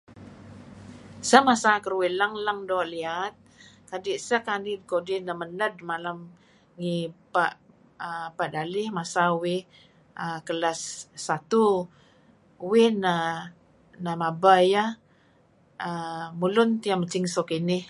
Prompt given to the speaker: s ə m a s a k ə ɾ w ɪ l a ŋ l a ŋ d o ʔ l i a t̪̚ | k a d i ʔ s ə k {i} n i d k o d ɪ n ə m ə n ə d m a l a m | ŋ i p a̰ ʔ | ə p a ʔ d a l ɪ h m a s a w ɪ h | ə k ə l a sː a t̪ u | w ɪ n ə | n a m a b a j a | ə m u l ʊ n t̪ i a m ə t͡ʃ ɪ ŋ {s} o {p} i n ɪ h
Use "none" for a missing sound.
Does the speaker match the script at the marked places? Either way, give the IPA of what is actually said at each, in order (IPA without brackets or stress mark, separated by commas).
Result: a, s, k